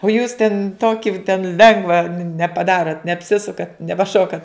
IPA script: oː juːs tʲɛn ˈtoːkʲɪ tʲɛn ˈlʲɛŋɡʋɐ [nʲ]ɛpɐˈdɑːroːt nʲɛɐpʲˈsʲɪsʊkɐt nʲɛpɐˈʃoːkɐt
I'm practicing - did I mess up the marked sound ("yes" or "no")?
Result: no